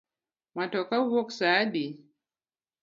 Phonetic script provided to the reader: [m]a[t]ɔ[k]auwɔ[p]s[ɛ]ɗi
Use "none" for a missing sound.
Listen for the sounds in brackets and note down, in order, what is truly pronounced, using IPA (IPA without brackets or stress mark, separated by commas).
m, t, k, k, a